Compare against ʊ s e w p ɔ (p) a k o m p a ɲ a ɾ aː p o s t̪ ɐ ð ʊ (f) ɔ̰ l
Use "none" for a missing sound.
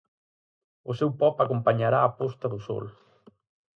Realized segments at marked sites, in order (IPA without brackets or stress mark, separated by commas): p, s